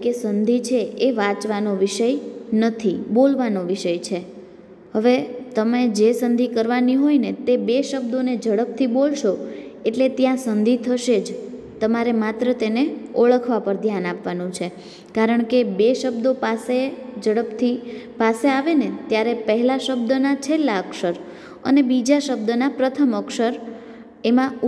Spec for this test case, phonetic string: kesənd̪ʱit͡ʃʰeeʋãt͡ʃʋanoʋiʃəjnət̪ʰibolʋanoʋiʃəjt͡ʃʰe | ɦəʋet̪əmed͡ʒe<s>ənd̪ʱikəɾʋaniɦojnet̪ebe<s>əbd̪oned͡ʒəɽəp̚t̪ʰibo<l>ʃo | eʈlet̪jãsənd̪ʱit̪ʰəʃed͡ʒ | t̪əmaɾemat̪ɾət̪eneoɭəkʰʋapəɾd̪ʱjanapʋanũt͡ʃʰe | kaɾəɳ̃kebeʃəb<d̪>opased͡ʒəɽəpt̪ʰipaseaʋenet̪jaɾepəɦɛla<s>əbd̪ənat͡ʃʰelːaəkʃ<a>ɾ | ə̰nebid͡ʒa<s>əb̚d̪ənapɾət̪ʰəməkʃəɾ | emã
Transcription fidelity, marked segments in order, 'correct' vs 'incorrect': correct, incorrect, correct, correct, incorrect, incorrect, incorrect

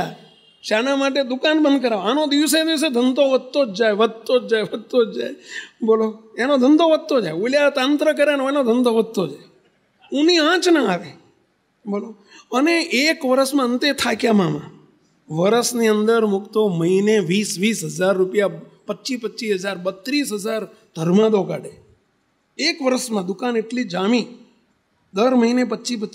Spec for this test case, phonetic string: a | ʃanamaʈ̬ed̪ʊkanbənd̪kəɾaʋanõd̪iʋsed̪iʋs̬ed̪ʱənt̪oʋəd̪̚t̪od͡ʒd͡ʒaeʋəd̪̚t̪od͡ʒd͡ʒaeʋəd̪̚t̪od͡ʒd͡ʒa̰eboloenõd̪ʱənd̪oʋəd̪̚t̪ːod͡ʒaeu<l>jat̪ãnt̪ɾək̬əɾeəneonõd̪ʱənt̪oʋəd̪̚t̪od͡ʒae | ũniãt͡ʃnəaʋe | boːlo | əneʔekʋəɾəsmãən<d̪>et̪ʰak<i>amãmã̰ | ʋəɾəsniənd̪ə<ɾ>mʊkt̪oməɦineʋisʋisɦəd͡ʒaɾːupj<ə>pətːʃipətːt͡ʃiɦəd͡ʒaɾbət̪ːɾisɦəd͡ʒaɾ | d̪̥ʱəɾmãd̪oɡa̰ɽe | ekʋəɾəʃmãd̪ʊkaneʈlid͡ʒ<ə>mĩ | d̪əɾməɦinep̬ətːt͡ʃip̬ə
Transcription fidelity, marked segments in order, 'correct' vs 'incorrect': correct, incorrect, incorrect, correct, incorrect, incorrect

